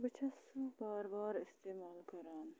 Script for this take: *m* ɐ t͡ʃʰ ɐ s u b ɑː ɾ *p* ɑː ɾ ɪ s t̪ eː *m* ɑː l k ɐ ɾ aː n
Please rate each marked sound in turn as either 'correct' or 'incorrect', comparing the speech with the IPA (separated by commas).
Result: incorrect, incorrect, correct